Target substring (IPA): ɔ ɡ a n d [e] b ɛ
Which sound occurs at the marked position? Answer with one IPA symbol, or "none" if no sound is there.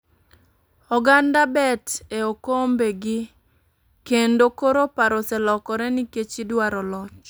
a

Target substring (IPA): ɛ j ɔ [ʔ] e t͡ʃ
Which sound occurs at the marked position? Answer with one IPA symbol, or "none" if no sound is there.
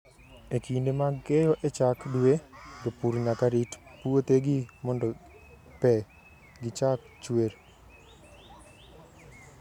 ʔ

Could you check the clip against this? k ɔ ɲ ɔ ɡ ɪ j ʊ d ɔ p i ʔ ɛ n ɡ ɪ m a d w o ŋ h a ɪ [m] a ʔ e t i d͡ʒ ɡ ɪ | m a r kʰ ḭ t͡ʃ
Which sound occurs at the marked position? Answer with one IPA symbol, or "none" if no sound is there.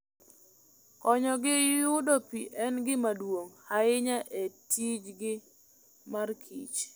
ɲ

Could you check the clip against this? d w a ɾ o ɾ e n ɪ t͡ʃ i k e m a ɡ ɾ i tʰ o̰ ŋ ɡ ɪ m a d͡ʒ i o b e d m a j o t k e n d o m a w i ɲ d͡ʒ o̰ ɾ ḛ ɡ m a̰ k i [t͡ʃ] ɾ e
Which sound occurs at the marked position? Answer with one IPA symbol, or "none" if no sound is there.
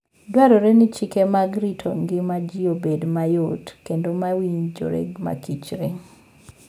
t͡ʃ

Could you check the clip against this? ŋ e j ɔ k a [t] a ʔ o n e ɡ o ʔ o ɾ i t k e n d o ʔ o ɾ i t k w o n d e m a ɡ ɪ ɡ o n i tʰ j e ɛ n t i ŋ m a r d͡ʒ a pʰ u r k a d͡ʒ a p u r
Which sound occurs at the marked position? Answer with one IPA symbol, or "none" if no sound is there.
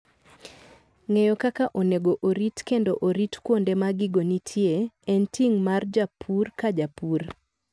k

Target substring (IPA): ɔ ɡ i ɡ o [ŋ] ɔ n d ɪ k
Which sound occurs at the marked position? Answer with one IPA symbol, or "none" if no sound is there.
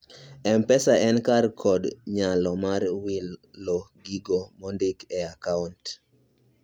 m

